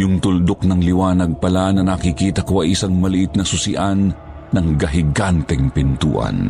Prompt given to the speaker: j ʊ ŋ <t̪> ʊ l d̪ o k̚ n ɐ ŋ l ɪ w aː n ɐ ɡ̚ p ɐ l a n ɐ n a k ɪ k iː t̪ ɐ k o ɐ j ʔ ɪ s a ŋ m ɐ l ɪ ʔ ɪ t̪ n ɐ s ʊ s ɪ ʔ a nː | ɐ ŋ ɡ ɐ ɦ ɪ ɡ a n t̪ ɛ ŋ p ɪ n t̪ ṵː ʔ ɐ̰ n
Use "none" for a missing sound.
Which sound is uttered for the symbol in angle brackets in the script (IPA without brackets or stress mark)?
t̪